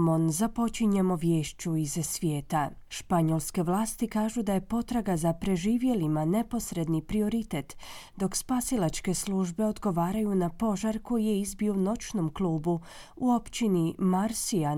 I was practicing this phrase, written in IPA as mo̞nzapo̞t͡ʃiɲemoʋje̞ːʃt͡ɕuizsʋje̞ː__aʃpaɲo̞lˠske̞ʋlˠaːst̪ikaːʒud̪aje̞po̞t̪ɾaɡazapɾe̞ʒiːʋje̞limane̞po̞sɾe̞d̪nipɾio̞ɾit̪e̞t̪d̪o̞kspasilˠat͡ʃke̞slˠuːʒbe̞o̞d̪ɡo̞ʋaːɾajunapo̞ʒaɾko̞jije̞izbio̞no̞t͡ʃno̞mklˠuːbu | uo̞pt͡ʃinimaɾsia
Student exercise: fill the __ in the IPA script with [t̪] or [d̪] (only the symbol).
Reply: t̪